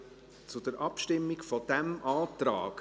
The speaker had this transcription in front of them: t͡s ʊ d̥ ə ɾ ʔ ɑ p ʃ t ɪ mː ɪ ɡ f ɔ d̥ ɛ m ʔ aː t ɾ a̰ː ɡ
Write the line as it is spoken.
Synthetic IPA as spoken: t͡s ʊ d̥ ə ɾ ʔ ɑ p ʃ t ɪ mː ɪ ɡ f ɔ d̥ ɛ m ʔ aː t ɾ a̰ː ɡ